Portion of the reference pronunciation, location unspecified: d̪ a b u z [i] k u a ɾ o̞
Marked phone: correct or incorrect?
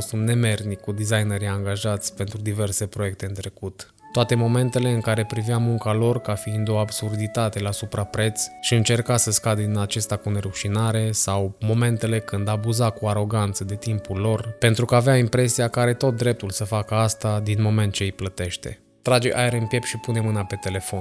incorrect